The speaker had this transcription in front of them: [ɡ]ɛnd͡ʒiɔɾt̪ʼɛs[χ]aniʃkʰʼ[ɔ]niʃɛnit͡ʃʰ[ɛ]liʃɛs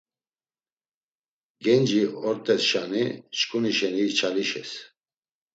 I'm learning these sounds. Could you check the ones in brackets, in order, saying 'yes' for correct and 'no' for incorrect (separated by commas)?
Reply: yes, no, no, no